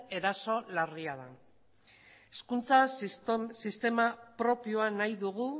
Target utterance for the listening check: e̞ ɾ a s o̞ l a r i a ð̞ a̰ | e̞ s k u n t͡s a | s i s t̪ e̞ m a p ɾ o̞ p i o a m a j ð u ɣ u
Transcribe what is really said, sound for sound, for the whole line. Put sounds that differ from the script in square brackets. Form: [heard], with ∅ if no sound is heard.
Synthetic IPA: e̞ ɾ a s o̞ l a r i a ð̞ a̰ | e̞ s k u n t͡s a | s i s t̪ e̞ m a p ɾ o̞ p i o a [n] a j ð u ɣ u